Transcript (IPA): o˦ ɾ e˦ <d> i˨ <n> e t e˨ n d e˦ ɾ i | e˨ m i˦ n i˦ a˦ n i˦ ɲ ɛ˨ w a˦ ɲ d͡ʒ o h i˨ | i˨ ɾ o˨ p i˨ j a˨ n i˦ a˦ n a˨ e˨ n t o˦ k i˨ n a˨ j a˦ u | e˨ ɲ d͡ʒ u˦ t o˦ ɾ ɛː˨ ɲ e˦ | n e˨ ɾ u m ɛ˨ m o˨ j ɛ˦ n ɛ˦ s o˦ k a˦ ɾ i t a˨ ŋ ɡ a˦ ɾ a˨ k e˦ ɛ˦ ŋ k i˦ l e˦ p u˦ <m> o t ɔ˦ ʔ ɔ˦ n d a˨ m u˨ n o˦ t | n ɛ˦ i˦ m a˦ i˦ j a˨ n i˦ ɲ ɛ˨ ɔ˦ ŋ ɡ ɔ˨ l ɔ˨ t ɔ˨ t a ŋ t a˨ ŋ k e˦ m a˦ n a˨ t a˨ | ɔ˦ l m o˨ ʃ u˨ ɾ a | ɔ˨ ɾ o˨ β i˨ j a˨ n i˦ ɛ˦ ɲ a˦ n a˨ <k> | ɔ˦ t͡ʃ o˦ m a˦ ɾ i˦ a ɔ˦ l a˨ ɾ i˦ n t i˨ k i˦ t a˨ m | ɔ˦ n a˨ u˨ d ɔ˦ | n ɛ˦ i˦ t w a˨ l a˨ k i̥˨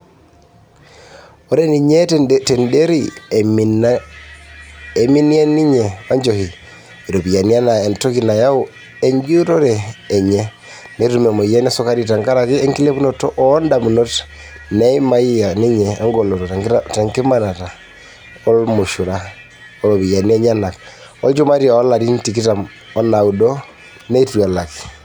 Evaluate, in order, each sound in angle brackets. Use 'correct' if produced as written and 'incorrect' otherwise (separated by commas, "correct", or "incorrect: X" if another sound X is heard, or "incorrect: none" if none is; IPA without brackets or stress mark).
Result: incorrect: n, incorrect: ɲ, incorrect: n, correct